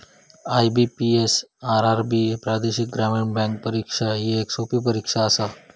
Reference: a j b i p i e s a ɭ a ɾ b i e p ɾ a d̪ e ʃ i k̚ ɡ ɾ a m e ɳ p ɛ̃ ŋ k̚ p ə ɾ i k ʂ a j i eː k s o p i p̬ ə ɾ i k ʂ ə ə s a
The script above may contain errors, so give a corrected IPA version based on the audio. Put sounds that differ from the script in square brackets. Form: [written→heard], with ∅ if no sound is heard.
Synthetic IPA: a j b i p i e s a [ɭ→ɾ] a ɾ b i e p ɾ a d̪ e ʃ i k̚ ɡ ɾ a m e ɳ [p→b] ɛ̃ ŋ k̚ p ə ɾ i k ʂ a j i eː k s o p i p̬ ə ɾ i k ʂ [ə→a] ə s a